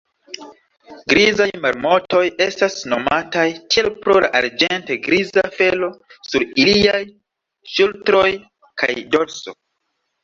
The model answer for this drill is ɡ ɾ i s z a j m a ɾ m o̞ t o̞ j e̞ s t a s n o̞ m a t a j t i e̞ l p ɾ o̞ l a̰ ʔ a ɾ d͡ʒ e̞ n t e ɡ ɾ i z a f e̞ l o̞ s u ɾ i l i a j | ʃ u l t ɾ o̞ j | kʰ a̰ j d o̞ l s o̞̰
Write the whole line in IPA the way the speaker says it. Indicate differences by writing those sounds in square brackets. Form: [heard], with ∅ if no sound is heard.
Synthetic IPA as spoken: ɡ ɾ i [∅] z a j m a ɾ m o̞ t o̞ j e̞ s t a s n o̞ m a t a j t i e̞ l p ɾ o̞ l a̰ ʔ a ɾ d͡ʒ e̞ n t e ɡ ɾ i z a f e̞ l o̞ s u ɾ i l i a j | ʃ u l t ɾ o̞ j | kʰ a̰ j d o̞ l s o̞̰